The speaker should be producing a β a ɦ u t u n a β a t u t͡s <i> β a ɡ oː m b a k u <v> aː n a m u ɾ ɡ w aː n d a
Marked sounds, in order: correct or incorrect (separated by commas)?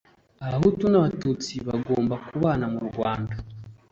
correct, incorrect